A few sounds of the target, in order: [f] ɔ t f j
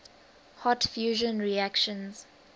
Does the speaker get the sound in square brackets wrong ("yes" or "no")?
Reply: yes